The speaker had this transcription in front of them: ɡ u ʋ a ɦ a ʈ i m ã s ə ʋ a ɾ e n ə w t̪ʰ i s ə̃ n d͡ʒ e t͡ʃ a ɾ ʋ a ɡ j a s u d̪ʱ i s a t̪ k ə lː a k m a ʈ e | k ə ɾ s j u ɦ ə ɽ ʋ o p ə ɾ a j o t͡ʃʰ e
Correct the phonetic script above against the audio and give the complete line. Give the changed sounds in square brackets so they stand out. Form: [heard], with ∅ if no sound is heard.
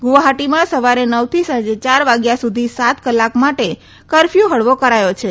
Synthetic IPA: ɡ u ʋ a ɦ a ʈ i m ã s ə ʋ a ɾ e n ə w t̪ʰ i s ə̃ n d͡ʒ e t͡ʃ a ɾ ʋ a ɡ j a s u d̪ʱ i s a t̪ k ə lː a k m a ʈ e | k ə ɾ [f] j u ɦ ə ɽ ʋ o [k] ə ɾ a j o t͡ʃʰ e